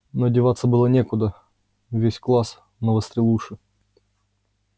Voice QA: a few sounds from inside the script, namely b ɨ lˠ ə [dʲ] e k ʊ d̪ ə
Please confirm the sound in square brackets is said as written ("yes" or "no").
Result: no